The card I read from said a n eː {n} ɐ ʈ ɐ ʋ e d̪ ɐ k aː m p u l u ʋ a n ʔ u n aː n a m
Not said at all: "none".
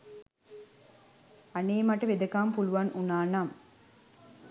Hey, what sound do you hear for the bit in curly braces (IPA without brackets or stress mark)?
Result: m